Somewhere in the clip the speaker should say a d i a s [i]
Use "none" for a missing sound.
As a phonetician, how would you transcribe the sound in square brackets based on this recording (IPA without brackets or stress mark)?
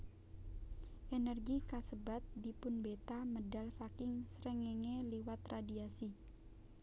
i